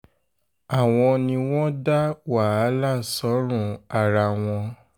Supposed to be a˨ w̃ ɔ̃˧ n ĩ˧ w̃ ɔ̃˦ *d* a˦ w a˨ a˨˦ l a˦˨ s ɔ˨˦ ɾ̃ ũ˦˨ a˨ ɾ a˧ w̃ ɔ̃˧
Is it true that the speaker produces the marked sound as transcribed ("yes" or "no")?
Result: yes